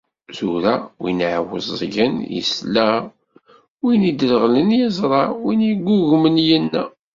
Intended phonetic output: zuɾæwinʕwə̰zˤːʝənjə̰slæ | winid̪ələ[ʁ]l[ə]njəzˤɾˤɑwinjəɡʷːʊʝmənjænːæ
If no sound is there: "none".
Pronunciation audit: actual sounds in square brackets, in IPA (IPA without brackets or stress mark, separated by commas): ʁ, ə